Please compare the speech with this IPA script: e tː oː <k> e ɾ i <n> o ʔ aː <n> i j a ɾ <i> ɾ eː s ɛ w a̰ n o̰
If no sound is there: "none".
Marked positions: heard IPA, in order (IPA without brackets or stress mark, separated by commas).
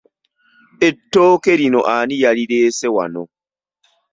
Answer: k, n, n, i